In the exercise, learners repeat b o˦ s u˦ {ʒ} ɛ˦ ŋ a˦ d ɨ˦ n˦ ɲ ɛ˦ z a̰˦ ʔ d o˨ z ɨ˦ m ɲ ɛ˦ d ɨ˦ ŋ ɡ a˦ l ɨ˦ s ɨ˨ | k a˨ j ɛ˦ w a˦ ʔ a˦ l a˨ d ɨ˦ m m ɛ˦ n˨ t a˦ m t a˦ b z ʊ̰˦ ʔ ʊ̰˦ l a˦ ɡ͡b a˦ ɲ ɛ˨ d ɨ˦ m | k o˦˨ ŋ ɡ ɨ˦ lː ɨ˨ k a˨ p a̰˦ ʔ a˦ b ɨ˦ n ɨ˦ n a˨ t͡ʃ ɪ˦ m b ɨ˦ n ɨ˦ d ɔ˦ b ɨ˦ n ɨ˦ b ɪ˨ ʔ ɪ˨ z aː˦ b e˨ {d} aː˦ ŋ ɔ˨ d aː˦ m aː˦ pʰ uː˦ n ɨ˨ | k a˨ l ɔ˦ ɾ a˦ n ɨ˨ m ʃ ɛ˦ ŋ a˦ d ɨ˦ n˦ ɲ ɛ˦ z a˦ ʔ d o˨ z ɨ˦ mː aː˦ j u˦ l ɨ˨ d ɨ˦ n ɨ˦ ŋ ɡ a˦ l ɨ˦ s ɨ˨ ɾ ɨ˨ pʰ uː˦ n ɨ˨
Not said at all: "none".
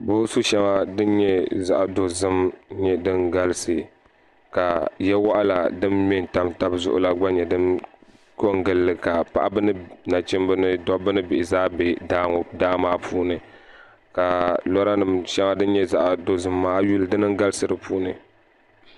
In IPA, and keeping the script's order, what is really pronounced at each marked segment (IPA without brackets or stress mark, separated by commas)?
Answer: ʃ, d